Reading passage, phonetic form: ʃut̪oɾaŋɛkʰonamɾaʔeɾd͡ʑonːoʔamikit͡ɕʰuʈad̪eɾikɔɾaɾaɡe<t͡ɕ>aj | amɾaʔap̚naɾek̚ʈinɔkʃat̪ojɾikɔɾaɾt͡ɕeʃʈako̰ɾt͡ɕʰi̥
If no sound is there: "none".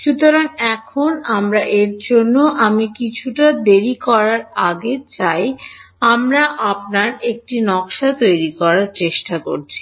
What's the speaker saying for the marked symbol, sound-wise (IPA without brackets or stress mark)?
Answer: t͡ɕ